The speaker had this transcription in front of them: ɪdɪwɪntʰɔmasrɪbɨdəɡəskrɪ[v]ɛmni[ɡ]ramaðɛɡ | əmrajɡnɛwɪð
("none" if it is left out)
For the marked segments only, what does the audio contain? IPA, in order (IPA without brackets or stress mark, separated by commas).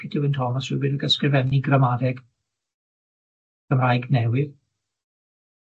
v, ɡ